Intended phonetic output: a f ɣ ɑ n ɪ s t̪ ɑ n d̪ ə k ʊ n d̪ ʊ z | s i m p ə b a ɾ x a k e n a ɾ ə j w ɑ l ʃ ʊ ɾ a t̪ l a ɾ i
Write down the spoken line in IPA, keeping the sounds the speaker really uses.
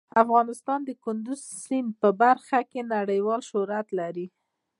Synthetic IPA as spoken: a f ɣ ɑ n ɪ s t̪ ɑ n d̪ ə k ʊ n d̪ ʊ z | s i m p ə b a ɾ x a k e n a ɽ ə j w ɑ l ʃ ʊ ɾ a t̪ l a ɾ i